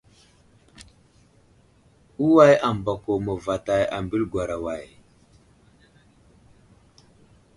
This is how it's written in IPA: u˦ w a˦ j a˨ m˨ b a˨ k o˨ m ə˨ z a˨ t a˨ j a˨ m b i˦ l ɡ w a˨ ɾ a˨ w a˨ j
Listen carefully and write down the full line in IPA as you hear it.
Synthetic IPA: u˦ w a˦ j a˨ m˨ b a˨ k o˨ m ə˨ v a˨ t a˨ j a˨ m b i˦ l ɡ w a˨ ɾ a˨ w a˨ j